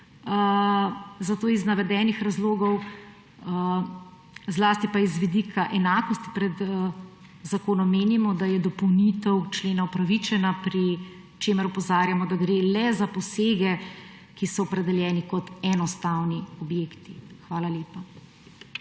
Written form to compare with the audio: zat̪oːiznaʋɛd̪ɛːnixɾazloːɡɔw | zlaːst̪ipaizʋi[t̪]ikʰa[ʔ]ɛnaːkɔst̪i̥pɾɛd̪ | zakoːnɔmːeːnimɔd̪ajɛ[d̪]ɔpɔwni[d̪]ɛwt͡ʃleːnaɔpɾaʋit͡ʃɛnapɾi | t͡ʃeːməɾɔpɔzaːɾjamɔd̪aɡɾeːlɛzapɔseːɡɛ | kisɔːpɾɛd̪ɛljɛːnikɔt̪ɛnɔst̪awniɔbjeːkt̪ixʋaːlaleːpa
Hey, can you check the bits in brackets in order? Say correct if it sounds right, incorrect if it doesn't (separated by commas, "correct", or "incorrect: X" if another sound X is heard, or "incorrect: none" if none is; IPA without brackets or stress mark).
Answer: incorrect: d̪, correct, correct, incorrect: t̪